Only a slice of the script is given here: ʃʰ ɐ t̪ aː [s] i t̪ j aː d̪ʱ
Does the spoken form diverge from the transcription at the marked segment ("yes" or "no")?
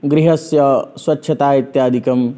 yes